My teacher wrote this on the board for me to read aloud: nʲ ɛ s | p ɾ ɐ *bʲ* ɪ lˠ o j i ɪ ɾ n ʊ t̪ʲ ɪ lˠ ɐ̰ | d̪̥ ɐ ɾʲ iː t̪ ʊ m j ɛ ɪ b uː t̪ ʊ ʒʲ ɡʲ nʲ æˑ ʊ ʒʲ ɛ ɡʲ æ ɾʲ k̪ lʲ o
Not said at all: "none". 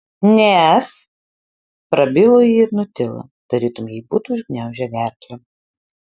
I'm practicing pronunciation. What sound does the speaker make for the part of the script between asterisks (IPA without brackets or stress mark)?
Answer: bʲ